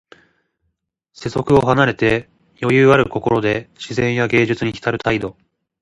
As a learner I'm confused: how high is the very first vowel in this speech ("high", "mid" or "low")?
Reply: mid